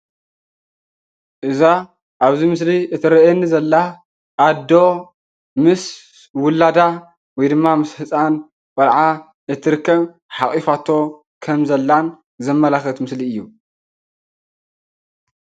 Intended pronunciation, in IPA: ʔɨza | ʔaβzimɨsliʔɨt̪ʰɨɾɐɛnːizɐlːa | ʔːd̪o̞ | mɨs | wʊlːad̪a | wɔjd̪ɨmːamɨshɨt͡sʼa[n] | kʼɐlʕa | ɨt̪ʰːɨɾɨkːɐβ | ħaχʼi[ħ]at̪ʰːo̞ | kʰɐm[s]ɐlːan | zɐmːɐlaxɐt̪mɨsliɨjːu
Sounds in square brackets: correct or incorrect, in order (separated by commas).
correct, incorrect, incorrect